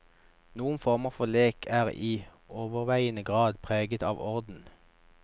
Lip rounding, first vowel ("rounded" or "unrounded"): rounded